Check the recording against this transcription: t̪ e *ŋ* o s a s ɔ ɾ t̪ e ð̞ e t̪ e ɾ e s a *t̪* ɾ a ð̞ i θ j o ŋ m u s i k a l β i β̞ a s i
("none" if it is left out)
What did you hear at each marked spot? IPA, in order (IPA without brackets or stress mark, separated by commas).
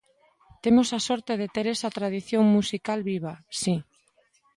m, t̪